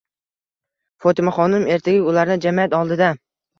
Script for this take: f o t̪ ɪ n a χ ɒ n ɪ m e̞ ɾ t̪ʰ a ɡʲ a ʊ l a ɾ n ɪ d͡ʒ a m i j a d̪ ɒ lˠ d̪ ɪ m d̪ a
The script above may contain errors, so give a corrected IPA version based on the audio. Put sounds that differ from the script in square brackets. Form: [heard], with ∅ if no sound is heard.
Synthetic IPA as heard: f o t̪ ɪ [m] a χ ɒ n ɪ m e̞ ɾ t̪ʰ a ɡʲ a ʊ l a ɾ n ɪ d͡ʒ a m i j a [t̪] ɒ lˠ d̪ ɪ [∅] d̪ a